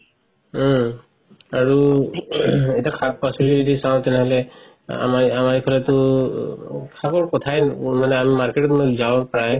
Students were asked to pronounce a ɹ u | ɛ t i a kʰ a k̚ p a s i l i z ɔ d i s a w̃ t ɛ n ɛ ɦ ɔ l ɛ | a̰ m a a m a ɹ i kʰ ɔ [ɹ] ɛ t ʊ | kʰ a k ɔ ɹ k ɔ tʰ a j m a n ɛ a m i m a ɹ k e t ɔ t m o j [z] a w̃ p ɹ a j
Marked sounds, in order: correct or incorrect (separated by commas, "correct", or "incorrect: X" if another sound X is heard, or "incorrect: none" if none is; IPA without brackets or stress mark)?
incorrect: l, correct